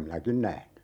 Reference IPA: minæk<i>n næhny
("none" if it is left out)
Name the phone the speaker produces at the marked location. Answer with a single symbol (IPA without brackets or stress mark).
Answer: i